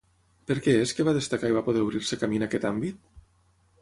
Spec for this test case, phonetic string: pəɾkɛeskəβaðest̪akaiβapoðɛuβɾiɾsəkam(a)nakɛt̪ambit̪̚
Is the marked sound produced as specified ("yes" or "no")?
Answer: no